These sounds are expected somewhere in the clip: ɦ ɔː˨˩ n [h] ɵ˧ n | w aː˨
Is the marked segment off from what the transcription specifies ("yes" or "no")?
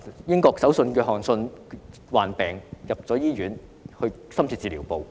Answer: yes